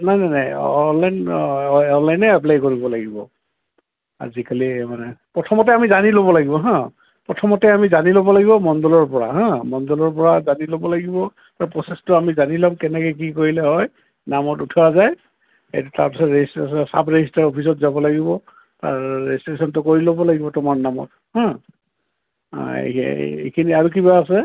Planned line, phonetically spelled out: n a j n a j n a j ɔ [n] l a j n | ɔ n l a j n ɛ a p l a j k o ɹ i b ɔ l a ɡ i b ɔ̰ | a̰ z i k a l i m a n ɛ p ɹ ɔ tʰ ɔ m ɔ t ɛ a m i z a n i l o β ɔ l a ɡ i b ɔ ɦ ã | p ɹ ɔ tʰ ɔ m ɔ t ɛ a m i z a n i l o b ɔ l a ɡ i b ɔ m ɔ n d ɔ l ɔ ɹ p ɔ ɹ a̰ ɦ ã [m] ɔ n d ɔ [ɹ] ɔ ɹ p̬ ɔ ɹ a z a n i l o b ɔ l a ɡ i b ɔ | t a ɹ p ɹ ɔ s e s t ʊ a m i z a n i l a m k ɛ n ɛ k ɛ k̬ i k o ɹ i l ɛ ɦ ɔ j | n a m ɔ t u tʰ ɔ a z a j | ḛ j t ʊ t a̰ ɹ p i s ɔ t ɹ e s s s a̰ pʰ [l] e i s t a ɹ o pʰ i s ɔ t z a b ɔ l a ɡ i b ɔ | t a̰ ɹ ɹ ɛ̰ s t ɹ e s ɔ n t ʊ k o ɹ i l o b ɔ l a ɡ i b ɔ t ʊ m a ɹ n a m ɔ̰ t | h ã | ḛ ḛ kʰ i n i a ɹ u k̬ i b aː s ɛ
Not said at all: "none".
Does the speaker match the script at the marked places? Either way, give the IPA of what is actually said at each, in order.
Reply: n, m, l, ɹ

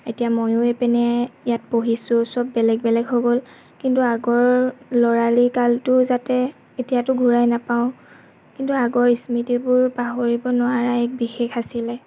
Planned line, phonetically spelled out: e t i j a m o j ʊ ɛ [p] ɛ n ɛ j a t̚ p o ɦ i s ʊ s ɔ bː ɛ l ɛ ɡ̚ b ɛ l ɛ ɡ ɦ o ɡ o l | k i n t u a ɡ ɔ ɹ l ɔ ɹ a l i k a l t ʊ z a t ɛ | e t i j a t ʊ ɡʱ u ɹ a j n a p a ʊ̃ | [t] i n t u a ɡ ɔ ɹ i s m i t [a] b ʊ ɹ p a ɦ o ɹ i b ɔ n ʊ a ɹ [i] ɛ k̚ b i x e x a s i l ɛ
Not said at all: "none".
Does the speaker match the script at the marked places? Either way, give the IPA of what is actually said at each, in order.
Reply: p, k, i, a

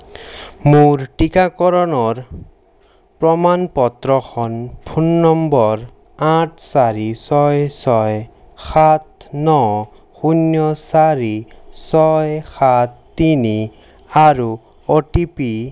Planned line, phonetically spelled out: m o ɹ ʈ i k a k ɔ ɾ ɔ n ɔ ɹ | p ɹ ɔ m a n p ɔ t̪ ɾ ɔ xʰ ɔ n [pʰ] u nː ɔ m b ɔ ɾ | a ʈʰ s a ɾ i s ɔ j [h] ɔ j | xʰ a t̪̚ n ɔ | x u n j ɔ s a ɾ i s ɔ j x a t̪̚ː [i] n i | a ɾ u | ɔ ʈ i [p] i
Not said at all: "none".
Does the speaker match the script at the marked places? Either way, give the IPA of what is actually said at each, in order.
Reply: pʰ, s, i, p

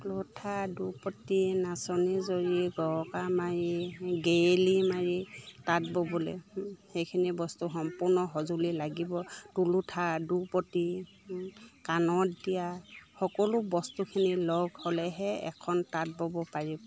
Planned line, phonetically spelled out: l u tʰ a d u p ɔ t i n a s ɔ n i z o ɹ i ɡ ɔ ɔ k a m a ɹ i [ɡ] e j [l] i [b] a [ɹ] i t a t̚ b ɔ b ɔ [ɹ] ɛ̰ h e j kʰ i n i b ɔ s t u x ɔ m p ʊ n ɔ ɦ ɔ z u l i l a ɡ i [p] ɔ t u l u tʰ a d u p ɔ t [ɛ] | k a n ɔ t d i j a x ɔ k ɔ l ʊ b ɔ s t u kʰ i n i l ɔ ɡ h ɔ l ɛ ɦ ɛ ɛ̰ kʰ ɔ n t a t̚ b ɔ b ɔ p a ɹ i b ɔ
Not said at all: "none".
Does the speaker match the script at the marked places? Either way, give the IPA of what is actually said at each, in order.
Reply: ɡ, l, m, ɹ, l, b, i

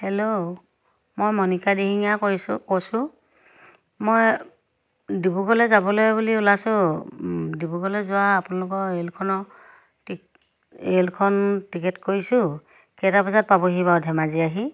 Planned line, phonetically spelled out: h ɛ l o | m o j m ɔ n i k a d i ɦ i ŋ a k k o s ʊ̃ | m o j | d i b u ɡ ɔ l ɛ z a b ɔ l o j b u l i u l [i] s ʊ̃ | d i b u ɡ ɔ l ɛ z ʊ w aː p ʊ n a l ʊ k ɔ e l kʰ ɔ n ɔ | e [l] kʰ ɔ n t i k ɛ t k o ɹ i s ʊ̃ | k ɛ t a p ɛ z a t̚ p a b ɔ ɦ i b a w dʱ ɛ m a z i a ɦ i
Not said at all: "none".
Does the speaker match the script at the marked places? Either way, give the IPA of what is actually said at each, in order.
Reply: a, l

